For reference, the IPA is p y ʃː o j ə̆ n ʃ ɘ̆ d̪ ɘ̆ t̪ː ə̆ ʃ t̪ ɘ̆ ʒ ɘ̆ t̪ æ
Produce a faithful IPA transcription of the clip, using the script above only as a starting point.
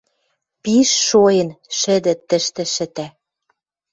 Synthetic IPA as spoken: p i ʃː o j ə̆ n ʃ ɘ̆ d̪ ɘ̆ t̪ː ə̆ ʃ t̪ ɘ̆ ʃ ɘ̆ t̪ æ